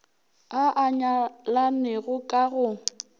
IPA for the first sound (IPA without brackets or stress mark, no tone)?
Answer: a